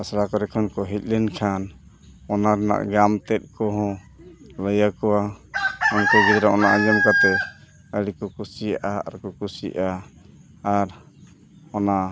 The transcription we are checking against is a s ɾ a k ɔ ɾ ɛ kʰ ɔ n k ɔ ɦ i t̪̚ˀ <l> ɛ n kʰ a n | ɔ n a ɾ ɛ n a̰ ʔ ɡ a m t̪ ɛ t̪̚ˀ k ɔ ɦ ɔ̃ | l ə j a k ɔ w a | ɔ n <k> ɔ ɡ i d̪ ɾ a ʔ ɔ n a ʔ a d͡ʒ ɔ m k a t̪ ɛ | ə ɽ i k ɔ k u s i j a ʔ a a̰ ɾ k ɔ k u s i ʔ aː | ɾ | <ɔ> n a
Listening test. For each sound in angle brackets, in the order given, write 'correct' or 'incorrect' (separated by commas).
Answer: correct, correct, correct